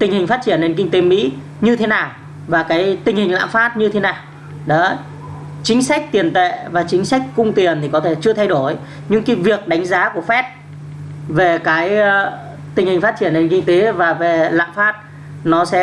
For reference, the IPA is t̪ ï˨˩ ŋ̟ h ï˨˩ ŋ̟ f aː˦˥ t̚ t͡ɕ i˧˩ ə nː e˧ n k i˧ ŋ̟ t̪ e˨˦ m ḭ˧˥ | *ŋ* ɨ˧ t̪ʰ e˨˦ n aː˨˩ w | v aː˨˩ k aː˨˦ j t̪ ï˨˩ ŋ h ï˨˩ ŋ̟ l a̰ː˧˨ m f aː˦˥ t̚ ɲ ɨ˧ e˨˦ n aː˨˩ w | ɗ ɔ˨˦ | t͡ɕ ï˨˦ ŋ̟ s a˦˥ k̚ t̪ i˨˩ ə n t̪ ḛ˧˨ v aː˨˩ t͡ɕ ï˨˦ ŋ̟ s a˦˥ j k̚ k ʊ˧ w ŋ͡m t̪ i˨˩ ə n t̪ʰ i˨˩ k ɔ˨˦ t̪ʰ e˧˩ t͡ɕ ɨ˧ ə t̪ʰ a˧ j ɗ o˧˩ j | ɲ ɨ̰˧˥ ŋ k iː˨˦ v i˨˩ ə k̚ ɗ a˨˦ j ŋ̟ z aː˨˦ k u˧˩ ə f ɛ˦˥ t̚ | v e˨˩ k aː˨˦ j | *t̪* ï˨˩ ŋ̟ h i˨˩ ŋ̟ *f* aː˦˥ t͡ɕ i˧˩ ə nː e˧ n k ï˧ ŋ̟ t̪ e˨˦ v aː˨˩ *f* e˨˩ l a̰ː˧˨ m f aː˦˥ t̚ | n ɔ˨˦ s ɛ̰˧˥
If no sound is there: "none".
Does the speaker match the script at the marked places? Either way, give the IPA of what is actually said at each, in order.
ɲ, t̪, f, v

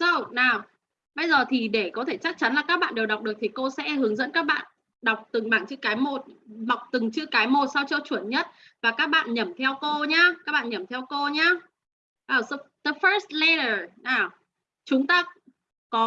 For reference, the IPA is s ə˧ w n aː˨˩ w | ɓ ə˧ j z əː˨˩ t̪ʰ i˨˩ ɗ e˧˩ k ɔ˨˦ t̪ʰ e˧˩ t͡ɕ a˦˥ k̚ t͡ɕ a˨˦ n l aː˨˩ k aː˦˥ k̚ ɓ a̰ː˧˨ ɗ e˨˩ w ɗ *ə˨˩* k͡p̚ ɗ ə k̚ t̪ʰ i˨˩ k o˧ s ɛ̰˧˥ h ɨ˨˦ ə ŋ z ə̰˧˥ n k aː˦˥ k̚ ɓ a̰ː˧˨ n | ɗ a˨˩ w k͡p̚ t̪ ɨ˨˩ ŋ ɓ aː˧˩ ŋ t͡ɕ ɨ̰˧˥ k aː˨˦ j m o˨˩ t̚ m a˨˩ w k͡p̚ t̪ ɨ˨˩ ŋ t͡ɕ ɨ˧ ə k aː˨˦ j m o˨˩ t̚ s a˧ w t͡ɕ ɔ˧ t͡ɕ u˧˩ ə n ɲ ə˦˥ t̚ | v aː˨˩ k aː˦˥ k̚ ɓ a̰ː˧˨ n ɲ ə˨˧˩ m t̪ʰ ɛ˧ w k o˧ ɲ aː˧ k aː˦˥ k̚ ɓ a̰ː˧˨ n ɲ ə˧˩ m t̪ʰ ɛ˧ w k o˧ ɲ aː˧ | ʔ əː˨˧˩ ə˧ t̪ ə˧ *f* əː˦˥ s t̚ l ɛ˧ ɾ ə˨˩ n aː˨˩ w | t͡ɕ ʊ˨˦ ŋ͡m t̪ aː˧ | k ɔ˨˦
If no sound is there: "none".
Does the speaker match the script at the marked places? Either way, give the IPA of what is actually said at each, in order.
a˨˩, f

